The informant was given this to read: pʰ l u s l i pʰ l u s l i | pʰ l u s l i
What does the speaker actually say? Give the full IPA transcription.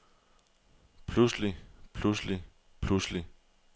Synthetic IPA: pʰ l u s l i pʰ l u s l i | pʰ l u s l i

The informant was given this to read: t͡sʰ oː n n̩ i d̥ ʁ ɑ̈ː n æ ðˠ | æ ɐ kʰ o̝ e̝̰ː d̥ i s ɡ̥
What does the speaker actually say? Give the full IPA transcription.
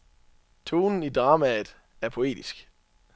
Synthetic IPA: t͡sʰ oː n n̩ i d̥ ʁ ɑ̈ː m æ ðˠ | æ ɐ pʰ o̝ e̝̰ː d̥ i s ɡ̥

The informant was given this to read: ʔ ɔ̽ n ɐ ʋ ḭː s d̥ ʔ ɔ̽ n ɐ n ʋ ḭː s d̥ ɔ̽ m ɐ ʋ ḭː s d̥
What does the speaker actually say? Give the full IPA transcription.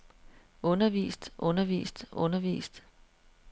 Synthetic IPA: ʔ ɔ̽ n ɐ ʋ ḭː s d̥ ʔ ɔ̽ n ɐ ʋ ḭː s d̥ ɔ̽ n ɐ ʋ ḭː s d̥

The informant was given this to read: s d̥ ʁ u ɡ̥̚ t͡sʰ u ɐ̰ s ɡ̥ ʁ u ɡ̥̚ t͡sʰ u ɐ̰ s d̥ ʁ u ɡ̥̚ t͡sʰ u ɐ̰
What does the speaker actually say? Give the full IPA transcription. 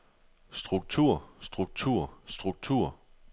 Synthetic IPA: s d̥ ʁ u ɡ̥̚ t͡sʰ u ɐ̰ s d̥ ʁ u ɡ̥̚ t͡sʰ u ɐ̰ s d̥ ʁ u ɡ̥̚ t͡sʰ u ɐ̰

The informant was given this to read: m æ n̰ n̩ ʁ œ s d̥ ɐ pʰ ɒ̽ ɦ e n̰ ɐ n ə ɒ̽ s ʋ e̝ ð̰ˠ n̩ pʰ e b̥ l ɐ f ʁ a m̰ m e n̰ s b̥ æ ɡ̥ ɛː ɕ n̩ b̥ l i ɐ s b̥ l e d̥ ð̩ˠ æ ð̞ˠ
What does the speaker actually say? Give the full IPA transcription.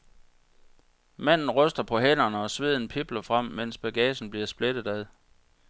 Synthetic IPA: m æ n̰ n̩ ʁ œ s d̥ ɐ pʰ ɒ̽ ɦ e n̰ ɐ n ə ɒ̽ s ʋ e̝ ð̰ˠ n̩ pʰ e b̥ l ɐ f ʁ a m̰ m e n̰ s b̥ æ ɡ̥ ɛː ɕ n̩ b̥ l i ɐ s b̥ l e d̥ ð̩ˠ æ ð̞ˠ

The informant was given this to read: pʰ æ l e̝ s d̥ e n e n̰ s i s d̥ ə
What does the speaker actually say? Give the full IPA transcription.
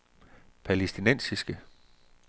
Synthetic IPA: pʰ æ l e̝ s d̥ i n e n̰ s i s ɡ̥ ə

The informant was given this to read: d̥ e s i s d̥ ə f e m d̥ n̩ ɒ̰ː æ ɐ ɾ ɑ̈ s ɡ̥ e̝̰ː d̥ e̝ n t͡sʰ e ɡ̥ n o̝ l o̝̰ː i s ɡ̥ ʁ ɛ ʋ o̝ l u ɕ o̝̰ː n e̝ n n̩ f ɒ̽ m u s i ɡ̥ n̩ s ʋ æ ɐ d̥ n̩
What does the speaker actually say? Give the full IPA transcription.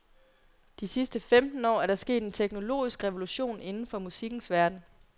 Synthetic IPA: d̥ i s i s d̥ ə f e m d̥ n̩ ɒ̰ː æ ɐ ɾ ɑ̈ s ɡ̥ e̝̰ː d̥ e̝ n t͡sʰ e ɡ̥ n o̝ l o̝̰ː i s ɡ̥ ʁ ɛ ʋ o̝ l u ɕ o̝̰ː n e̝ n n̩ f ɒ̽ m u s i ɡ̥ n̩ s ʋ æ ɐ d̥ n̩

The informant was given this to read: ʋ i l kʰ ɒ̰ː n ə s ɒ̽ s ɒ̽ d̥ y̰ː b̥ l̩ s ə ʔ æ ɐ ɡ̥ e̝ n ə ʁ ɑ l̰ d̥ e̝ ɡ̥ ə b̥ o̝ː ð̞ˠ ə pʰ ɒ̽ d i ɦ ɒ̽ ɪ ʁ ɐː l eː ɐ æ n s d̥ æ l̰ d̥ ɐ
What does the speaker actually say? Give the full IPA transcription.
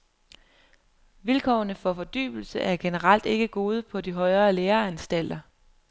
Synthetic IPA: ʋ i l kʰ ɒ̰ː n ə f ɒ̽ f ɒ̽ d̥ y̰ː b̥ l̩ s ə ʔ æ ɐ ɡ̥ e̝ n ə ʁ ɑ l̰ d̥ e̝ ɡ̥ ə ɡ̥ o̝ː ð̞ˠ ə pʰ ɒ̽ d i ɦ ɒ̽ ɪ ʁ ɐː l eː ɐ æ n s d̥ æ l̰ d̥ ɐ

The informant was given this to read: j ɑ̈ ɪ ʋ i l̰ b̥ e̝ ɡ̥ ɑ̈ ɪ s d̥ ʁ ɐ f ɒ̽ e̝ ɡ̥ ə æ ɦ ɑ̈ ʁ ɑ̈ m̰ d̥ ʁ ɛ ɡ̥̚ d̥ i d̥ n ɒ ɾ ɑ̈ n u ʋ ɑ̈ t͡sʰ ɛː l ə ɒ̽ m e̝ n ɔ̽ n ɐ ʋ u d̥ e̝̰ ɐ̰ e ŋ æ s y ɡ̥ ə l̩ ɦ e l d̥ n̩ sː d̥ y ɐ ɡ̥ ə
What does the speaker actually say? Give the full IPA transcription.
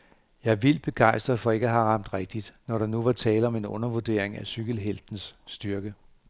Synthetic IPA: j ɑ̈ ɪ ʋ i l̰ b̥ e̝ ɡ̥ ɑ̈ ɪ s d̥ ʁ ɐ f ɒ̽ e̝ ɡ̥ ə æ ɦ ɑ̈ ʁ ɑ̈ m̰ d̥ ʁ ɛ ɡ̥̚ d̥ i d̥ n ɒ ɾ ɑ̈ n u ʋ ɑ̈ t͡sʰ ɛː l ə ɒ̽ m e̝ n ɔ̽ n ɐ ʋ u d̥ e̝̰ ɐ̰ e ŋ æ s y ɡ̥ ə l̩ ɦ e l d̥ n̩ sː d̥ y ɐ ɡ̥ ə

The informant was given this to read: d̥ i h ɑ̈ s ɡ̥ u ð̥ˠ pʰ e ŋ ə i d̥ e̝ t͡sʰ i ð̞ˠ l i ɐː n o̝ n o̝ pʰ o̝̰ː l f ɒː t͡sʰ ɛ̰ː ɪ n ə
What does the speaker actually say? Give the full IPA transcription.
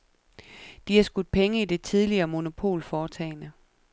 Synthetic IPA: d̥ i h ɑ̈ s ɡ̥ u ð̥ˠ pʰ e ŋ ə i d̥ e̝ t͡sʰ i ð̞ˠ l i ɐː m o̝ n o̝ pʰ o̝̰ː l f ɒː t͡sʰ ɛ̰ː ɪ n ə

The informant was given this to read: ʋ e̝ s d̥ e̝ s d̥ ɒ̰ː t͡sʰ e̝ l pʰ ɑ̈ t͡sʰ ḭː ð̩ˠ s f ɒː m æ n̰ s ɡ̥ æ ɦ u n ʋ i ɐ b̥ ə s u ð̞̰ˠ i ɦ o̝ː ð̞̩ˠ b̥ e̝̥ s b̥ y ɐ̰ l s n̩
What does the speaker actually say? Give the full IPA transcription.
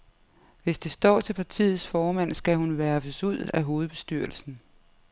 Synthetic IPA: ʋ e̝ s d̥ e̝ s d̥ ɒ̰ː t͡sʰ e̝ l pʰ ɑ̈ t͡sʰ ḭː ð̩ˠ s f ɒː m æ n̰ s ɡ̥ æ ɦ u n ʋ æ ɐ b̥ ə s u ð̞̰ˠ æ ɦ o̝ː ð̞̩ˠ b̥ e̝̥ s d̥ y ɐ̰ l s n̩

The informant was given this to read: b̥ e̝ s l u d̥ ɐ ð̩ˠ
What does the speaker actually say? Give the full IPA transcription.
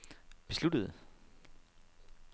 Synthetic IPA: b̥ e̝ s l u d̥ ə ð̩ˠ

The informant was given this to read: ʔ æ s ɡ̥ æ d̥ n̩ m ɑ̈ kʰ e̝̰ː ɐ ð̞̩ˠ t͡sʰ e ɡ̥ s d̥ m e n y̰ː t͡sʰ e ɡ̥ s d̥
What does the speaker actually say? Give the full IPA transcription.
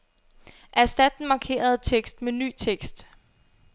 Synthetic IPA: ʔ æ s d̥ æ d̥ n̩ m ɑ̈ kʰ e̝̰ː ɐ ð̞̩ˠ t͡sʰ e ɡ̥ s d̥ m e n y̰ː t͡sʰ e ɡ̥ s d̥

